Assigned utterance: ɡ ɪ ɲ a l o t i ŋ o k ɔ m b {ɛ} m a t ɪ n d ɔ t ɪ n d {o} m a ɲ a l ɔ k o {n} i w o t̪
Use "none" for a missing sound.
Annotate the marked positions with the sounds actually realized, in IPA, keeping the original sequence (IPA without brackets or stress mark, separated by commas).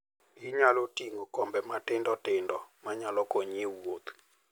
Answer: ɛ, ɔ, ɲ